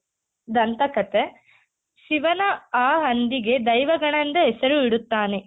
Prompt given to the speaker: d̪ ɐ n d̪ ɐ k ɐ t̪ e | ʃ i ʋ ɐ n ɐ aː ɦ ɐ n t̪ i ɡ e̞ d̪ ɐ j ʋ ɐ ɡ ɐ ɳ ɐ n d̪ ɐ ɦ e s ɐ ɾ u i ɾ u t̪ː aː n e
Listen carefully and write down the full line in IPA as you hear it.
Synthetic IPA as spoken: d̪ ɐ n t̪ ɐ k ɐ t̪ e | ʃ i ʋ ɐ n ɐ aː ɦ ɐ n d̪ i ɡ e̞ d̪ ɐ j ʋ ɐ ɡ ɐ ɳ ɐ n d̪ ɐ ɦ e s ɐ ɾ u i ɽ u t̪ː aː n e